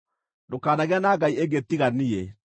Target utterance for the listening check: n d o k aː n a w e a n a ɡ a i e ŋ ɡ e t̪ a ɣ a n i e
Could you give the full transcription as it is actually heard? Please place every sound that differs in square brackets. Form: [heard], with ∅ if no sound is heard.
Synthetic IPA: n d o k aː n a [ɣ] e a n a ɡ a i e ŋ ɡ e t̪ [i] ɣ a n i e

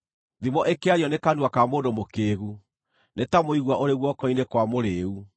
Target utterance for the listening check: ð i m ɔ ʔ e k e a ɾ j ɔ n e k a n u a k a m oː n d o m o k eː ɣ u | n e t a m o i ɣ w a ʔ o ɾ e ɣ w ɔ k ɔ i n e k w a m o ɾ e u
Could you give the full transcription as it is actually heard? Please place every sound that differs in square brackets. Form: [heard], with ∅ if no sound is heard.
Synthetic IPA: ð i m ɔ ʔ e k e a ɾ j ɔ n e k a n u a k a m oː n d o m o k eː ɣ u | n e t a m o i ɣ w a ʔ o ɾ e ɣ w ɔ k ɔ i n e k w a m o ɾ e u

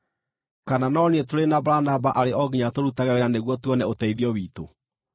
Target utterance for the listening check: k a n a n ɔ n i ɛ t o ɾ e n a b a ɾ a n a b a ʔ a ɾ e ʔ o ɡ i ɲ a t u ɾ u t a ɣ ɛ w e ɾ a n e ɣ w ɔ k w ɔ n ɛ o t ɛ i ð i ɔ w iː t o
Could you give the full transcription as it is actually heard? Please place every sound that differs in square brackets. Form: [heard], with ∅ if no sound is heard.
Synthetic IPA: k a n a n ɔ n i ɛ t o ɾ e n a b a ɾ a n a b a ʔ a ɾ e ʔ [ɔ] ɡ i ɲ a t [o] ɾ u t a ɣ ɛ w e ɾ a n e ɣ w ɔ [t] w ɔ n ɛ o t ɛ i ð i ɔ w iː t o

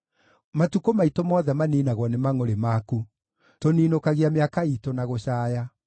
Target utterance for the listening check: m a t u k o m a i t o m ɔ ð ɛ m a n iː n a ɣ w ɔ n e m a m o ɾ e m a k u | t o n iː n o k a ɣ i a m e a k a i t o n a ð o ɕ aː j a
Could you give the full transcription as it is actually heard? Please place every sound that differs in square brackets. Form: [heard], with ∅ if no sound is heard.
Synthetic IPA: m a t u k o m a i t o m ɔ ð ɛ m a n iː n a ɣ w ɔ n e m a [ŋ] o ɾ e m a k u | t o n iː n o k a ɣ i a m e a k a i t o n a [ɣ] o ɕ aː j a

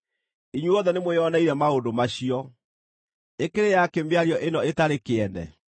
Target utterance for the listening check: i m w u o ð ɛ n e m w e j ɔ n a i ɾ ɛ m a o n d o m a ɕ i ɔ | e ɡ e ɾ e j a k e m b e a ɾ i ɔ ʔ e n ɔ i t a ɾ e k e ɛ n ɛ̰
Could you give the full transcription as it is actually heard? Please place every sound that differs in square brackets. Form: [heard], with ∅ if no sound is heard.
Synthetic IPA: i [ɲ] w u [ɔ] ð ɛ n e m w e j ɔ n a i ɾ ɛ m a o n d o m a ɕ i ɔ | e [k] e ɾ e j a k e m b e a ɾ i ɔ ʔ e n ɔ [e] t a ɾ e k e ɛ n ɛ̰

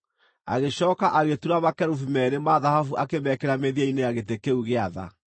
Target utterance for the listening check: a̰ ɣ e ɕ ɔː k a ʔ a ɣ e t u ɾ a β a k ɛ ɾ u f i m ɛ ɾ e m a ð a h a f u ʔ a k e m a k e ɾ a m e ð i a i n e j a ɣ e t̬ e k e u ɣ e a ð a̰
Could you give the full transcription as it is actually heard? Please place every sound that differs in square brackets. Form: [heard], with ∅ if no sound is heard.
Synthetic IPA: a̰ ɣ e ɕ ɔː k a ʔ a ɣ e t u ɾ a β a k ɛ ɾ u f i m ɛ ɾ e m a ð a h a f u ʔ a k e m [ɛ] k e ɾ a m e ð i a i n e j a ɣ e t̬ e k e u ɣ e a ð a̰

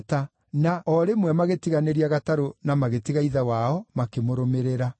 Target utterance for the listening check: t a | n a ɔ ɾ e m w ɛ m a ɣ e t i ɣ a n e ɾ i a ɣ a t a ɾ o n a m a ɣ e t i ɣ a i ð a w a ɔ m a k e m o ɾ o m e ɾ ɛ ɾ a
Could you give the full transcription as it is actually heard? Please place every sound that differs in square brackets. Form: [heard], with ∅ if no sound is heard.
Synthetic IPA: t a | n a ɔ ɾ e m w ɛ m a ɣ e t i ɣ a n e ɾ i a ɣ a t a ɾ o n a m a ɣ e t i ɣ a i ð a w a ɔ m a k e m o ɾ o m e ɾ [e] ɾ a

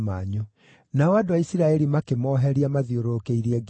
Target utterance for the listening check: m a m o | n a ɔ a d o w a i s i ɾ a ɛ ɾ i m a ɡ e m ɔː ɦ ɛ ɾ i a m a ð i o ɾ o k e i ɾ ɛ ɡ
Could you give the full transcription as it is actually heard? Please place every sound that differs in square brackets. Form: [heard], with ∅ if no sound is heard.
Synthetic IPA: m a [ɲ] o | n a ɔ a d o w a i s i ɾ a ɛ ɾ i m a [k] e m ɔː ɦ ɛ ɾ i a m a ð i o ɾ o k e i ɾ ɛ ɡ

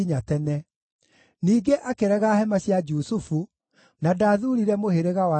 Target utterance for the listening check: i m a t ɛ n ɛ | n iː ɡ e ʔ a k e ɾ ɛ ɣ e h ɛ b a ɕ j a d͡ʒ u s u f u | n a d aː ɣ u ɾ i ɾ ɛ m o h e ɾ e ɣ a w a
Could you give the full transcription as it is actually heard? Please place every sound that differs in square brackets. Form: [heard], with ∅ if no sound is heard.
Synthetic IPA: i [ɲ] a t ɛ n ɛ | n iː ɡ e ʔ a k e ɾ ɛ ɣ [a] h ɛ [m] a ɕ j a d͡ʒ u s u f u | n a d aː [ð] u ɾ i ɾ ɛ m o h e ɾ e ɣ a w a

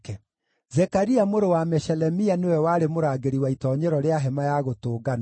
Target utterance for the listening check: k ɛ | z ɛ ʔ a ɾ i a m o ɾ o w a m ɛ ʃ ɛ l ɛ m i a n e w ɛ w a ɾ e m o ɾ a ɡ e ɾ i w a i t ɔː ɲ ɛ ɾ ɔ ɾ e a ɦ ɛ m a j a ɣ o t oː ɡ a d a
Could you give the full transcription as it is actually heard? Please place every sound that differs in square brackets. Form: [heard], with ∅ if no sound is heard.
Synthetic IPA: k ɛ | z ɛ [k] a ɾ i a m o ɾ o w a m ɛ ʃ ɛ l ɛ m i a n e w ɛ w a ɾ e m o ɾ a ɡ e ɾ i w a i t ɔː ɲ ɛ ɾ ɔ ɾ e a ɦ ɛ m a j a ɣ o t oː ɡ a [n] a

